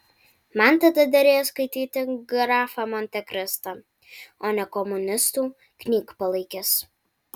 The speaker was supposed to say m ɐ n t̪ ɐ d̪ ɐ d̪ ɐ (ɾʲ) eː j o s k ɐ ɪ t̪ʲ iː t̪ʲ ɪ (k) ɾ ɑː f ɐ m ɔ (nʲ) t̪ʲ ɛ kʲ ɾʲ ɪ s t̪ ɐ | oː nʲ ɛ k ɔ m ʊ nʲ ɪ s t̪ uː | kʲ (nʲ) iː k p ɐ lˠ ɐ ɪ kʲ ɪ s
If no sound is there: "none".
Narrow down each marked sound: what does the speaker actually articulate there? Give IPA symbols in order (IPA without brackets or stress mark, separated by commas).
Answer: ɾʲ, ɡ, nʲ, nʲ